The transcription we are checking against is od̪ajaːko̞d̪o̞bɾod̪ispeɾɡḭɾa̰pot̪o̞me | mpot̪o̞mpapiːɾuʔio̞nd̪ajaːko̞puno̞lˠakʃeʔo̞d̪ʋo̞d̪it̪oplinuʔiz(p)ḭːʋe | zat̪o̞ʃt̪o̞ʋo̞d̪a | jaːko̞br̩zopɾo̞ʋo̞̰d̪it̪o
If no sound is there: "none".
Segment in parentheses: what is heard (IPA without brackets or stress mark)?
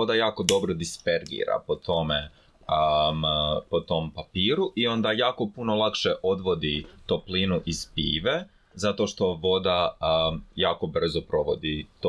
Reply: p